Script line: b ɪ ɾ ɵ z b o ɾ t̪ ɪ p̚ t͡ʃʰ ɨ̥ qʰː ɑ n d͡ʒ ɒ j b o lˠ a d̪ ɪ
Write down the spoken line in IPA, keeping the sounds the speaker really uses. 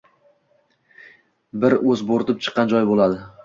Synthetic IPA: b ɪ ɾ ɵ z b o ɾ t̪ ɪ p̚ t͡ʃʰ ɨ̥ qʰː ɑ n d͡ʒ ɒ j b o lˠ a d̪ ɪ